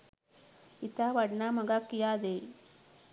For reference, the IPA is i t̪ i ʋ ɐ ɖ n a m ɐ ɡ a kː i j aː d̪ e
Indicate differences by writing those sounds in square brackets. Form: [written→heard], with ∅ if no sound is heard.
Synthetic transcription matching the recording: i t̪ [i→a] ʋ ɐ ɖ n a m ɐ ɡ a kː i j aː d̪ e